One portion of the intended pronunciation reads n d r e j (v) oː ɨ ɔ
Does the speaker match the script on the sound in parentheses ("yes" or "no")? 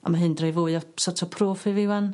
yes